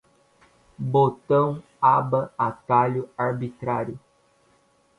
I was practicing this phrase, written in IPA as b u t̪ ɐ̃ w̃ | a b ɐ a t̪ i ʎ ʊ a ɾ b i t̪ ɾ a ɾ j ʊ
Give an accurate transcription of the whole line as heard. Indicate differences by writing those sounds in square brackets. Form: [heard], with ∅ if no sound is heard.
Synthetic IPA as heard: b [o] t̪ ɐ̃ w̃ | a b ɐ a t̪ [a] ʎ ʊ a ɾ b i t̪ ɾ a ɾ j ʊ